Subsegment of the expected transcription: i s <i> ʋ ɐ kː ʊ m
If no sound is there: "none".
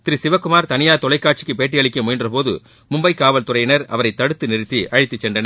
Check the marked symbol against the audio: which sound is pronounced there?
ɪ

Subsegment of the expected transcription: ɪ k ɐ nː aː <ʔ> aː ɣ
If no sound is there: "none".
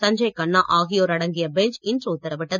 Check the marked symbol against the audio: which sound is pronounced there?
ʔ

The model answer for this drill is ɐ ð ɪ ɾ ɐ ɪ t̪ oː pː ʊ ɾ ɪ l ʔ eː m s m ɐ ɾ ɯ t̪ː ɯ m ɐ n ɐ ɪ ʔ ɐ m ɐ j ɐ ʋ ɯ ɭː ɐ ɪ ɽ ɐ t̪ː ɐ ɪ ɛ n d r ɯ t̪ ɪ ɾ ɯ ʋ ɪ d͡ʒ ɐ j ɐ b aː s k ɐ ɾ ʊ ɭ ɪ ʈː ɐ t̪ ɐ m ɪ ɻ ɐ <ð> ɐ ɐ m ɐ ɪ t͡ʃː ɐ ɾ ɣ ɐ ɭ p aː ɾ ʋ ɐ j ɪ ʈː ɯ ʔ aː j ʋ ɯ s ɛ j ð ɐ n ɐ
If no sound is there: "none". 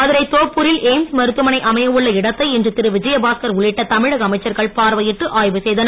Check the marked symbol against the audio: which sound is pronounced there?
ɣ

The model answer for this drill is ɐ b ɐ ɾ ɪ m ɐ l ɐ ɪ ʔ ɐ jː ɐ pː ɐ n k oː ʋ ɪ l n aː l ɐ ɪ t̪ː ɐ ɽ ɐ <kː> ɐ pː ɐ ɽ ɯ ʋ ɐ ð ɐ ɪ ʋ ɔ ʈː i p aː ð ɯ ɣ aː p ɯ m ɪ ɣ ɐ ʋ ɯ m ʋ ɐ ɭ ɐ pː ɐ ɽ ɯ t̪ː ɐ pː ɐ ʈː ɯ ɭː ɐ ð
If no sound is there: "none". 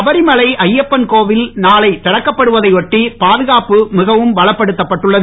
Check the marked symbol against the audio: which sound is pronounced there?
kː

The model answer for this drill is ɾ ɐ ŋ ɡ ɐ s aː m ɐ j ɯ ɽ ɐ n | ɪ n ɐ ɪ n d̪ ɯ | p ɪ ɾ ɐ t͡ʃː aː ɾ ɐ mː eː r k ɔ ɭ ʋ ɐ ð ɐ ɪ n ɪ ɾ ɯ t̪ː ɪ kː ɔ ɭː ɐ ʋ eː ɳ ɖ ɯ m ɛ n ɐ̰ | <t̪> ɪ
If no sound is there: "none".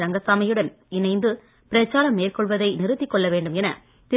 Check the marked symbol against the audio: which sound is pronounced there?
t̪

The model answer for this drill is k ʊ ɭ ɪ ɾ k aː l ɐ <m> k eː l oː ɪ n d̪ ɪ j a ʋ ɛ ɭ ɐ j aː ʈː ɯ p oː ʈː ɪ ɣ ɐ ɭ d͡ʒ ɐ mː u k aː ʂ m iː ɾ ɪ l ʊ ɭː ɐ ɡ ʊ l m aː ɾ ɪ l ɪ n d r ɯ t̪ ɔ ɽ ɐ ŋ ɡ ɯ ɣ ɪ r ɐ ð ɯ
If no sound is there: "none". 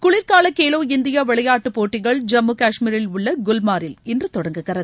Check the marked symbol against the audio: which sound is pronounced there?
none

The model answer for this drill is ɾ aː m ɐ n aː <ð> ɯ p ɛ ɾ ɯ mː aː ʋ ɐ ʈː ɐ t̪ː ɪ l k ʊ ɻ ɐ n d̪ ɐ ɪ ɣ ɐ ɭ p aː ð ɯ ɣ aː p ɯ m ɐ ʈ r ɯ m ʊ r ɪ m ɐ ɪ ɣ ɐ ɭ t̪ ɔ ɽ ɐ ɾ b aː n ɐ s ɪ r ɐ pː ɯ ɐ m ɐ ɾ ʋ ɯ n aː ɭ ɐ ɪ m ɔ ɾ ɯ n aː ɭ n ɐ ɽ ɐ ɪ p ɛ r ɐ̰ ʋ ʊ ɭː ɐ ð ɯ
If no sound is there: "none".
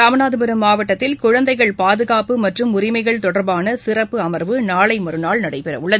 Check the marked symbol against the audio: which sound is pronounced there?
ð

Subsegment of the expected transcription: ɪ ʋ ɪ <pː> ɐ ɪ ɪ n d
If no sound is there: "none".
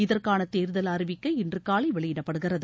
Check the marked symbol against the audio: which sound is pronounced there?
kː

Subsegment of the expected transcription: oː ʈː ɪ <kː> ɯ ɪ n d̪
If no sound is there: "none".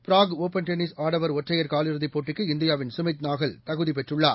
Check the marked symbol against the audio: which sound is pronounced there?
kː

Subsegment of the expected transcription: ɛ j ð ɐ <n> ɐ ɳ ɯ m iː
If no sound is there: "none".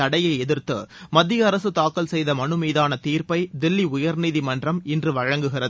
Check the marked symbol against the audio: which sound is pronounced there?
m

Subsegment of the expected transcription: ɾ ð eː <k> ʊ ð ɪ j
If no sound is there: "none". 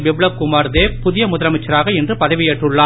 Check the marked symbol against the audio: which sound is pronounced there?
p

